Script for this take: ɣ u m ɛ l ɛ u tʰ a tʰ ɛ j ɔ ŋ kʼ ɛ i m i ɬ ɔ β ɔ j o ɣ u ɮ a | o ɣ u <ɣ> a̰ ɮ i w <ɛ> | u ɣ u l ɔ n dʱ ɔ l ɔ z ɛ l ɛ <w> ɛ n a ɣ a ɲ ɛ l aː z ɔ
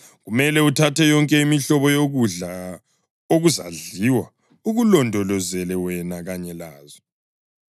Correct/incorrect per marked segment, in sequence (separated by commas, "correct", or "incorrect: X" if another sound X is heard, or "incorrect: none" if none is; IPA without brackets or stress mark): incorrect: z, incorrect: a, correct